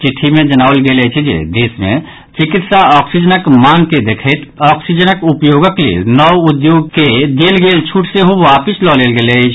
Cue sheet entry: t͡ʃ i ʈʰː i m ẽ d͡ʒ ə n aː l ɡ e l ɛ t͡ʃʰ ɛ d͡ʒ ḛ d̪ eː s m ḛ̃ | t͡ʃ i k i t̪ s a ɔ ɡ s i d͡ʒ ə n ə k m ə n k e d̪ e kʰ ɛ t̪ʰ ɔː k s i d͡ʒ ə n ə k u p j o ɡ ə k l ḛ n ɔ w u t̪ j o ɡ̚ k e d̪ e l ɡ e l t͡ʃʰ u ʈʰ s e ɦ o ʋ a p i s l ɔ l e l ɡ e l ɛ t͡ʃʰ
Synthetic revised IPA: t͡ʃ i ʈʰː i m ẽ d͡ʒ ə n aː l ɡ e l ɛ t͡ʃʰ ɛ d͡ʒ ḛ d̪ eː s m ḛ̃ | t͡ʃ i k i t̪ s a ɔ k s i d͡ʒ ə n ə k m a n k e d̪ e kʰ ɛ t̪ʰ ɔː k s i d͡ʒ ə n ə k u p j o ɡ ə k l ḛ n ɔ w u d̪ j o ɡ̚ k e d̪ e l ɡ e l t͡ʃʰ u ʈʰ s e ɦ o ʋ a p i s l ɔ l e l ɡ e l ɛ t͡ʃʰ